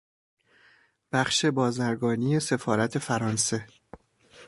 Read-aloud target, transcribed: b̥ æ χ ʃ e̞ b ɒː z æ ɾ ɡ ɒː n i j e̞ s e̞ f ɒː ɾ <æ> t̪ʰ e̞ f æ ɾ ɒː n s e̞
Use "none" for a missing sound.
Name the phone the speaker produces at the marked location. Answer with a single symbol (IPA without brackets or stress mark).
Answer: æ